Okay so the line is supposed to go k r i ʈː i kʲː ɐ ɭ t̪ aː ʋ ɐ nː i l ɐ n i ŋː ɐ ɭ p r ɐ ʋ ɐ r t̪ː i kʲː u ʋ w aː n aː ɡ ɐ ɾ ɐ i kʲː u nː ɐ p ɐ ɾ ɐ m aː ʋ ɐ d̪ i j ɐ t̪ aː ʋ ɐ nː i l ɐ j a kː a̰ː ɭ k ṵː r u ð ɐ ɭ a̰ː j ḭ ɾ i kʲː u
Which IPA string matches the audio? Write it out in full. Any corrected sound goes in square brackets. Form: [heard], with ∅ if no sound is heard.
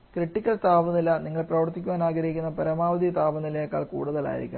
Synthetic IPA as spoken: k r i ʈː i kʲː ɐ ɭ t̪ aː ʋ ɐ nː i l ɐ n i ŋː ɐ ɭ p r ɐ ʋ ɐ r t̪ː i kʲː u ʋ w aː n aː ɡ ɐ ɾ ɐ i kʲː u nː ɐ p ɐ ɾ ɐ m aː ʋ ɐ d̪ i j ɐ t̪ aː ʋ ɐ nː i l ɐ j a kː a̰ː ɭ k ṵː [ɽ] u ð ɐ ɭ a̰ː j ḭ ɾ i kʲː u

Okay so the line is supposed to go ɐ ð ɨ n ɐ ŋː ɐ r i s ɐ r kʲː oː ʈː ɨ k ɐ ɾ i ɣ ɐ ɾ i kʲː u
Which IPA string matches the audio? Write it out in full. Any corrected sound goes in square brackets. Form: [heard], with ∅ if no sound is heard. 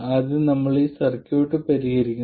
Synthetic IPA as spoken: ɐ ð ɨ n ɐ [mː] ɐ [ɭ] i s ɐ r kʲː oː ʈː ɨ [p] ɐ ɾ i ɣ ɐ ɾ i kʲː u

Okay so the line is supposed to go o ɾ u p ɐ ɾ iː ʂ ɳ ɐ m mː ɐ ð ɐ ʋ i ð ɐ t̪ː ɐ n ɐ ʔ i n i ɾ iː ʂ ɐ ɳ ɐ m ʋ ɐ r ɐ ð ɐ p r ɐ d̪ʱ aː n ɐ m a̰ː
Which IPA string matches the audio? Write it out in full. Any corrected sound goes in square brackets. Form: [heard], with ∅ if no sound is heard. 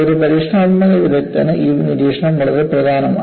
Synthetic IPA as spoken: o ɾ u p ɐ ɾ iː ʂ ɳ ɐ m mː ɐ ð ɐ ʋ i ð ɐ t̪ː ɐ n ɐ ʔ i n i ɾ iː ʂ ɐ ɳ ɐ m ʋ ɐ [ɭ] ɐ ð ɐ p r ɐ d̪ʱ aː n ɐ m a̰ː

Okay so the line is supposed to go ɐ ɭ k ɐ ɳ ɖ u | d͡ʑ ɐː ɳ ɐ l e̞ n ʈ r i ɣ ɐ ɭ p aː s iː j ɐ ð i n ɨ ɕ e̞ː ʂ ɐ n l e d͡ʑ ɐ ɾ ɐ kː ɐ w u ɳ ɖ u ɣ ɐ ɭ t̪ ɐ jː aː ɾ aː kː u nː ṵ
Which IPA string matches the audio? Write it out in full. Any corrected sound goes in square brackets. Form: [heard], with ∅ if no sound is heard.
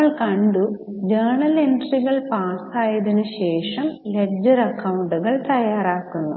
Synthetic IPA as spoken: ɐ ɭ k ɐ ɳ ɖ u | d͡ʑ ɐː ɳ ɐ l e̞ n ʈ r i ɣ ɐ ɭ p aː s [aː] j ɐ ð i n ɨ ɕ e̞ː ʂ ɐ [m] l e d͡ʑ ɐ ɾ ɐ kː ɐ w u ɳ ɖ u ɣ ɐ ɭ t̪ ɐ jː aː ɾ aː kː u nː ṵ

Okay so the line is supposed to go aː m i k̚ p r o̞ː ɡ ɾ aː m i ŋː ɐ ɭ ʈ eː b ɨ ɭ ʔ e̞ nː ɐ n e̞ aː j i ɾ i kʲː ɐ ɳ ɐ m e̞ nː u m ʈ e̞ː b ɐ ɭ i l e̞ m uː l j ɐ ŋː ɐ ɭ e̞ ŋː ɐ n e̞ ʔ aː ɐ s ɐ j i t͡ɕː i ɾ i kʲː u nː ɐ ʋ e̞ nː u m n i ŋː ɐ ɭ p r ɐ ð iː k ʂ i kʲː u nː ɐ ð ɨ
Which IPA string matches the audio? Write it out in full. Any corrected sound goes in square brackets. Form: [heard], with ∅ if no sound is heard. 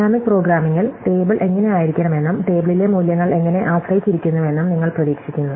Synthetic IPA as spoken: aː m i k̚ p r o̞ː ɡ ɾ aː m i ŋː ɐ ɭ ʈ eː b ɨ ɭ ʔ e̞ [ŋː] ɐ n e̞ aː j i ɾ i kʲː ɐ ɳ ɐ m e̞ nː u m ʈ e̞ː b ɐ ɭ i l e̞ m uː l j ɐ ŋː ɐ ɭ e̞ ŋː ɐ n e̞ ʔ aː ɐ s ɐ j i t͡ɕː i ɾ i kʲː u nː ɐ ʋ e̞ nː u m n i ŋː ɐ ɭ p r ɐ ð iː k ʂ i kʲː u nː ɐ ð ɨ

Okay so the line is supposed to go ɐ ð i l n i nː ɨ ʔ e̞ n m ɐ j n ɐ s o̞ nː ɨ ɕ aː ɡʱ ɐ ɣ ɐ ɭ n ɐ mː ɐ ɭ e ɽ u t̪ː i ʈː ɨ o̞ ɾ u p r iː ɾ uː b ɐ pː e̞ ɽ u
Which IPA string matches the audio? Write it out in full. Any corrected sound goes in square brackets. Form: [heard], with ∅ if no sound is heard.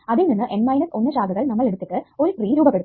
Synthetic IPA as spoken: ɐ ð i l n i nː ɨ ʔ e̞ n m ɐ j n ɐ s o̞ nː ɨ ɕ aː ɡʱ ɐ ɣ ɐ ɭ n ɐ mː ɐ ɭ e ɽ u t̪ː i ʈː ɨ o̞ ɾ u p r iː ɾ uː b ɐ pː e̞ ɽ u

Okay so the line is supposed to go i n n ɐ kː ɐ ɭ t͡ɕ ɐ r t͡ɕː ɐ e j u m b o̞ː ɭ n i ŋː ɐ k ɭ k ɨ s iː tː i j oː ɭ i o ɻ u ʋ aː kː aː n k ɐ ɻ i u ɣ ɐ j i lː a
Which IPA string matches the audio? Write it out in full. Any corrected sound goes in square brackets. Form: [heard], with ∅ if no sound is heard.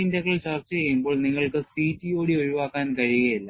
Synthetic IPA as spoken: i n [d] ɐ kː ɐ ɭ t͡ɕ ɐ r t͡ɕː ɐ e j u m b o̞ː ɭ n i ŋː ɐ [∅] ɭ k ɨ s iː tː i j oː [ɽ] i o ɻ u ʋ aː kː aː n k ɐ ɻ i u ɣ ɐ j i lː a

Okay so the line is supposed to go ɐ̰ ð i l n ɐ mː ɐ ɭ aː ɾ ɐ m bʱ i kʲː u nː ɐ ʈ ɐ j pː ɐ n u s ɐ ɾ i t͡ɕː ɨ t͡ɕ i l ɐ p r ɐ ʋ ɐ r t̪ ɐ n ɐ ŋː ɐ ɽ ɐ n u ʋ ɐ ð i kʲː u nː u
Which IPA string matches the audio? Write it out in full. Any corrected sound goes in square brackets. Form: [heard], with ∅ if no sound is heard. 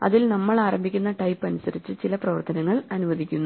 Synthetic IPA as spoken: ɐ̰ ð i l n ɐ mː ɐ ɭ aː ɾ ɐ m bʱ i kʲː u nː ɐ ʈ ɐ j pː ɐ n u s ɐ ɾ i t͡ɕː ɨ t͡ɕ i l ɐ p r ɐ ʋ ɐ r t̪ ɐ n ɐ ŋː ɐ [ɭ] ɐ n u ʋ ɐ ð i kʲː u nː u

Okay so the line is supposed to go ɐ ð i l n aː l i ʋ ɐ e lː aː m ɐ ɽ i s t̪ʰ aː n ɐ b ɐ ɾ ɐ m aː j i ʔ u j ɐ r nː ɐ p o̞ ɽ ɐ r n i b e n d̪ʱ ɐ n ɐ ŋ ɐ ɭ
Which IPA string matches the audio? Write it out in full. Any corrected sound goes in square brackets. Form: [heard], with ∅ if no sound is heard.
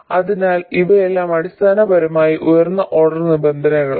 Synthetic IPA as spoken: ɐ ð i [∅] n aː l i ʋ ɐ e lː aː m ɐ ɽ i s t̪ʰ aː n ɐ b ɐ ɾ ɐ m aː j i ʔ u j ɐ r nː ɐ [ʔ] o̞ ɽ ɐ r n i b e n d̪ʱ ɐ n ɐ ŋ ɐ ɭ

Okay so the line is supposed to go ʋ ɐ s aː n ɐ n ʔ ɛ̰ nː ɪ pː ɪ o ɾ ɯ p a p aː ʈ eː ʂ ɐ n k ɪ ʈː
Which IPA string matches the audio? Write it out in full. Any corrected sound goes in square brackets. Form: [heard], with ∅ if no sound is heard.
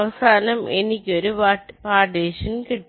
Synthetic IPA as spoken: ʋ ɐ s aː n ɐ [m] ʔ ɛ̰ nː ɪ [kː] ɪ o ɾ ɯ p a p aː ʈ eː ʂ ɐ n k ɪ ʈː

